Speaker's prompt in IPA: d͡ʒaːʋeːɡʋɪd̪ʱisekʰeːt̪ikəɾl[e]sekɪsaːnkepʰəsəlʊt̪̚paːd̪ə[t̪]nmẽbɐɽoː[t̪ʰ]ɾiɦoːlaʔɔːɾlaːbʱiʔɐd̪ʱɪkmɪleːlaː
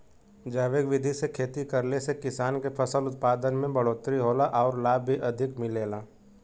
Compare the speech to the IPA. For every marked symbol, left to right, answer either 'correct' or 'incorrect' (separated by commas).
correct, incorrect, incorrect